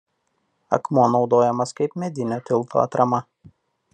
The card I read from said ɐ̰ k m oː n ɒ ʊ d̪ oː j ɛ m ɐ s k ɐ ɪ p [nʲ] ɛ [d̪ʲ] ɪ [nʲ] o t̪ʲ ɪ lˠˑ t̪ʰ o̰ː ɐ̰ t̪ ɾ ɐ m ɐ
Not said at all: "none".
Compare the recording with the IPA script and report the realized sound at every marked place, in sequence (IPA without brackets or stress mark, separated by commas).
mʲ, d̪ʲ, nʲ